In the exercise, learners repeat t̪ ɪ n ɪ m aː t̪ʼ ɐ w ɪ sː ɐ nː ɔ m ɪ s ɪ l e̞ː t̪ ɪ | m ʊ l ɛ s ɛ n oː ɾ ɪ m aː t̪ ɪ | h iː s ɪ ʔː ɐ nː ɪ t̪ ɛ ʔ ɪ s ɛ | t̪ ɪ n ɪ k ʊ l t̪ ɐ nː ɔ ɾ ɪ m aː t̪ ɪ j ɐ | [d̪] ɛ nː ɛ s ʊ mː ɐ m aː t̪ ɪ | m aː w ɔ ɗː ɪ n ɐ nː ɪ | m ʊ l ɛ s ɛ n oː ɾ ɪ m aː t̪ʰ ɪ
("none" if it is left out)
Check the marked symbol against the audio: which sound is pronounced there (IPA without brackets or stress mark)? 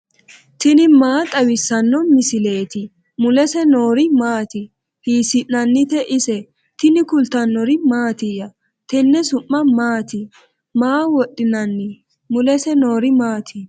t̪